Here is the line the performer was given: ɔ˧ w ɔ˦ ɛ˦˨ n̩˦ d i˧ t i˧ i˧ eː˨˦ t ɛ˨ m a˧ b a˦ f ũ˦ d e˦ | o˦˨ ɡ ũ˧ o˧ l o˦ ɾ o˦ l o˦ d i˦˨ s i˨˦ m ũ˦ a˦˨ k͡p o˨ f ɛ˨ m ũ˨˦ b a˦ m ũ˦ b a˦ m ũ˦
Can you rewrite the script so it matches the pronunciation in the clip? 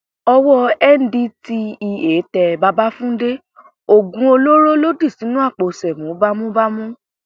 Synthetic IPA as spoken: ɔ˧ w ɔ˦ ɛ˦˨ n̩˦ d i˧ t i˧ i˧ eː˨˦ t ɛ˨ b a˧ b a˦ f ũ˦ d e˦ | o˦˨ ɡ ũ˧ o˧ l o˦ ɾ o˦ l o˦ d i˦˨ s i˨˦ n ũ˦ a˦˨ k͡p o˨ s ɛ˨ m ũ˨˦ b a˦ m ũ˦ b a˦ m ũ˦